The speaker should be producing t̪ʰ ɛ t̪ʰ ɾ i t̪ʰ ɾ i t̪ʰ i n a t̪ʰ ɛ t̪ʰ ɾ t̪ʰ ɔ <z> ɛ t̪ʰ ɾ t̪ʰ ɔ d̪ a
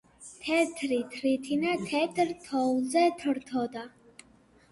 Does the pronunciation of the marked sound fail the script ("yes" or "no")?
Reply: no